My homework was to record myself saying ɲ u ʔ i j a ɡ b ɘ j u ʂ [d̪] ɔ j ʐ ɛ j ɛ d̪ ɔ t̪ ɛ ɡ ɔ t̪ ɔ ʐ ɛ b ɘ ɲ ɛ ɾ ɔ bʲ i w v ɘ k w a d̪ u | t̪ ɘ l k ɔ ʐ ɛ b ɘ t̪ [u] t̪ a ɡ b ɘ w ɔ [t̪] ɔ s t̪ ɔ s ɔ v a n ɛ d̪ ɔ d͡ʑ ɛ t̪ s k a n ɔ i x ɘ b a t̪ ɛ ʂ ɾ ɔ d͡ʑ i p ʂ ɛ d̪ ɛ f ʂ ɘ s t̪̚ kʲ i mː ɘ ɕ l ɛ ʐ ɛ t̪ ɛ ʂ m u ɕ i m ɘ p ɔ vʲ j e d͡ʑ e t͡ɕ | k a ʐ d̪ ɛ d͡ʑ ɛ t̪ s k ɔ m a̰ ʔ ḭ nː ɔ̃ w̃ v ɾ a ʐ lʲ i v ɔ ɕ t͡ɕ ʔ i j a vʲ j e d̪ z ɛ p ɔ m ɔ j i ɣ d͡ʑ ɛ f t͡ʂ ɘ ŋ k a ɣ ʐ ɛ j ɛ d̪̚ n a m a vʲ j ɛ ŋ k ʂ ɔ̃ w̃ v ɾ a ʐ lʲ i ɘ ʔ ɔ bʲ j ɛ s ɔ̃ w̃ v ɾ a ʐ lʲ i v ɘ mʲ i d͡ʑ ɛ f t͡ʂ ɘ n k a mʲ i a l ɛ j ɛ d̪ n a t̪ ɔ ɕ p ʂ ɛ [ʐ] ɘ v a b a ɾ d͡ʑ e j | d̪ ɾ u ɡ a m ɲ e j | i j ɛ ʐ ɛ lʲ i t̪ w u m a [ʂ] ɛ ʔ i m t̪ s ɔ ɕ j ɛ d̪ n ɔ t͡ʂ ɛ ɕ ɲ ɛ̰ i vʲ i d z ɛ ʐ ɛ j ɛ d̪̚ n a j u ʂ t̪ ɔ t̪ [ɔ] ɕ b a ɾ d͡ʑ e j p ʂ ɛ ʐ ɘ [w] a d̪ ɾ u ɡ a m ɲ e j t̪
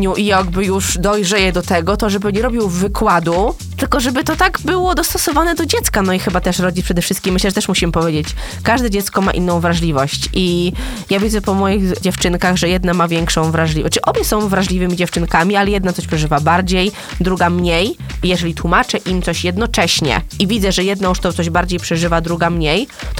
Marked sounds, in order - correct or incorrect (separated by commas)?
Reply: correct, incorrect, incorrect, correct, incorrect, correct, incorrect